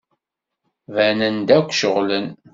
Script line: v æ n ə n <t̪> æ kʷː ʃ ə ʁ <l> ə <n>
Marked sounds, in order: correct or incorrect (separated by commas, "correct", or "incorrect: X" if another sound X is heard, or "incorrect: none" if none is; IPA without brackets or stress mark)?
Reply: incorrect: d̪, correct, correct